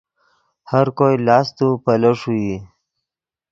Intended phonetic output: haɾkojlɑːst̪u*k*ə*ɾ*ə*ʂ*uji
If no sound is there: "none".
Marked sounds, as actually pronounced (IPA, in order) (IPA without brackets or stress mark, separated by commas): p, l, ʂ